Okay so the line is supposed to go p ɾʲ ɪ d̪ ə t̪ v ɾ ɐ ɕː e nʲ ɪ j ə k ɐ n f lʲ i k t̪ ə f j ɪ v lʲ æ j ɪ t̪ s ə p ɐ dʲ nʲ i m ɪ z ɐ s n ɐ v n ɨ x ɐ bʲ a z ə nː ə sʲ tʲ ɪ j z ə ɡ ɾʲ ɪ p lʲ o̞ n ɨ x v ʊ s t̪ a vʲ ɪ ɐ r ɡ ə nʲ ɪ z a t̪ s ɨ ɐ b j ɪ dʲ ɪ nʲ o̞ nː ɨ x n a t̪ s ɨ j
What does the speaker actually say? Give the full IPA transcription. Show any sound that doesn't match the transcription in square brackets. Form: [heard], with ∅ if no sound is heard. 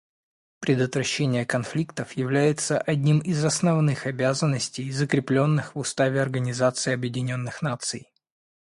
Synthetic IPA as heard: p ɾʲ ɪ d̪ ə t̪ v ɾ ɐ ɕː e nʲ ɪ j ə k ɐ n f lʲ i k t̪ ə f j ɪ v lʲ æ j ɪ t̪ s ə [ʔ] ɐ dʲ nʲ i m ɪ z ɐ s n ɐ v n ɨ x ɐ bʲ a z ə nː ə sʲ tʲ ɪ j z ə [k] ɾʲ ɪ p lʲ o̞ [nː] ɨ x v ʊ s t̪ a vʲ ɪ ɐ r ɡ ə nʲ ɪ z a t̪ s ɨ ɐ b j ɪ dʲ ɪ nʲ o̞ nː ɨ x n a t̪ s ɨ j